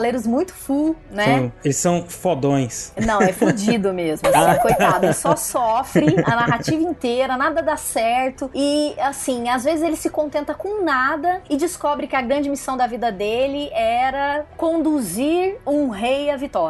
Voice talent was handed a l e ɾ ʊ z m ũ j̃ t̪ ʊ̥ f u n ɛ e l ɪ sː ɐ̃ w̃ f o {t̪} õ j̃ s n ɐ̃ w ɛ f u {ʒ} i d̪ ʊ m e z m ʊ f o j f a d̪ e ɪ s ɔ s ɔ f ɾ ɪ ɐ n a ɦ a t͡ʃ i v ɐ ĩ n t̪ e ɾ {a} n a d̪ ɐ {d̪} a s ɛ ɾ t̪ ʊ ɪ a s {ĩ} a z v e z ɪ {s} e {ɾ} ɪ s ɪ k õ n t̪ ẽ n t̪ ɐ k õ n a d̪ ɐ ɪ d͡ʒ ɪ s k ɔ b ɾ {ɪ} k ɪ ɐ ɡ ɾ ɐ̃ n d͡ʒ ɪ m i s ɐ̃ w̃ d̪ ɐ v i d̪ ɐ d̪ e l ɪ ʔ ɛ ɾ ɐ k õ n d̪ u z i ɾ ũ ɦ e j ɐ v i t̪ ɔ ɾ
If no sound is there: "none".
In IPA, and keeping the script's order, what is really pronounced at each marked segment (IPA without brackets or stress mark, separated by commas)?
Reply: d̪, d͡ʒ, ɐ, d̪, ĩ, z, l, ɪ